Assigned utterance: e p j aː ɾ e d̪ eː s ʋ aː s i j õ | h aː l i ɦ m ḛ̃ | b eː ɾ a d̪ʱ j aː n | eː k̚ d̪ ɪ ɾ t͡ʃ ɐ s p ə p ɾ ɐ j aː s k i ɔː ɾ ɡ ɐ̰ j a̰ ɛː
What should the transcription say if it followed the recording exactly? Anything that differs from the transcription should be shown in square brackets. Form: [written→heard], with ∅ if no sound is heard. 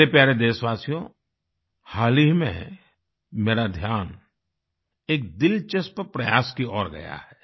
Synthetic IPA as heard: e p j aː ɾ e d̪ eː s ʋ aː s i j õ | h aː l i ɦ m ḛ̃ | [b→m] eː ɾ a d̪ʱ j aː n | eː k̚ d̪ ɪ [ɾ→l] t͡ʃ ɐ s p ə p ɾ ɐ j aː s k i ɔː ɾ ɡ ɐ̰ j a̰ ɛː